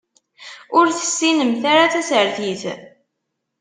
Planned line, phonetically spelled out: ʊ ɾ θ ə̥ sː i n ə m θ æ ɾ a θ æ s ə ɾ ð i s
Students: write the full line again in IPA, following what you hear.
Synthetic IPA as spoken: ʊ ɾ θ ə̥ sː i n ə m θ a ɾ a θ æ s ə ɾ θ i θ